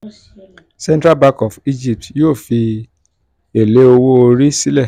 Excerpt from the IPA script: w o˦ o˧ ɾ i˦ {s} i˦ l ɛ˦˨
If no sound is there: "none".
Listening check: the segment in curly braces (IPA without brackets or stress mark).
s